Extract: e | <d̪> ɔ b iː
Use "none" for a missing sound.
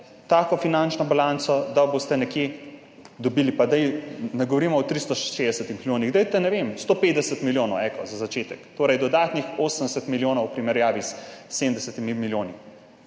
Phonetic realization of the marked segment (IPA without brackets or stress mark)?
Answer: d̪